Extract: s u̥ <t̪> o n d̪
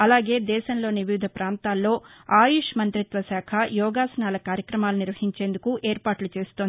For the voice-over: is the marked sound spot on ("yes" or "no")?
yes